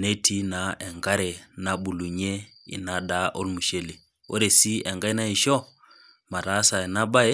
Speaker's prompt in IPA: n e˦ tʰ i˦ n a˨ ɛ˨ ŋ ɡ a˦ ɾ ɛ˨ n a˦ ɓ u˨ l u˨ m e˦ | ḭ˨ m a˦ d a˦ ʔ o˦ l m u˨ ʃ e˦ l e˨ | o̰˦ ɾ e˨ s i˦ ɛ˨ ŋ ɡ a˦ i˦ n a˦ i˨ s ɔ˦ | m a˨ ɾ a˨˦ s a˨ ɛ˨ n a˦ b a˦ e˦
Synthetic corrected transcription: n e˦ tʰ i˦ n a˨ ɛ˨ ŋ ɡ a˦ ɾ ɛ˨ n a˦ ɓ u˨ l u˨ ɲ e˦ | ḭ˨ n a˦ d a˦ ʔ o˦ l m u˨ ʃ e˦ l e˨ | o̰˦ ɾ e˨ s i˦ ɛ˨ ŋ ɡ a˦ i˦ n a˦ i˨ ʃ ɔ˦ | m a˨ ɾ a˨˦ s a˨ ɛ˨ n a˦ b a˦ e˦